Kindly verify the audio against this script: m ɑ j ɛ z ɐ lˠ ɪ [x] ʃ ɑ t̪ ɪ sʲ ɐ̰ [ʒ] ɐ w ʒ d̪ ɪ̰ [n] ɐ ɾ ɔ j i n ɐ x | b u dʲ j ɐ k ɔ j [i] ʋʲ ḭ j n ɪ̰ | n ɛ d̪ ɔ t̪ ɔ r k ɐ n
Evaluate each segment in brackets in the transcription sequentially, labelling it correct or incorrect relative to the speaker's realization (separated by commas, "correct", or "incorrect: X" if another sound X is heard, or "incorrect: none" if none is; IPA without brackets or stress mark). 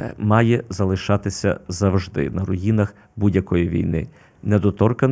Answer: incorrect: none, incorrect: z, correct, correct